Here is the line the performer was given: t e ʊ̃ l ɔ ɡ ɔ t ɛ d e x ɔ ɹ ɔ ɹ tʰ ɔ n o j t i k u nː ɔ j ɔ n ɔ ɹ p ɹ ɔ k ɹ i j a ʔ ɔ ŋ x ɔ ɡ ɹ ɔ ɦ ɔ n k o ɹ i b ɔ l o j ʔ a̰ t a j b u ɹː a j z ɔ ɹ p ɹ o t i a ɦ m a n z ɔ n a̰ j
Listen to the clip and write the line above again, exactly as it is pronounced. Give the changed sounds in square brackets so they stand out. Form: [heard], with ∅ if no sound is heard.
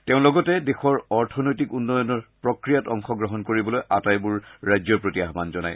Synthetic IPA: t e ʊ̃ l ɔ ɡ ɔ t ɛ d e x ɔ ɹ ɔ ɹ tʰ ɔ n o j t i k u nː ɔ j ɔ n ɔ ɹ p ɹ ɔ k ɹ i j a [t] ɔ ŋ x ɔ ɡ ɹ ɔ ɦ ɔ n k o ɹ i b ɔ l o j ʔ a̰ t a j b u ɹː a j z ɔ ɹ p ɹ o t i a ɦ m a n z ɔ n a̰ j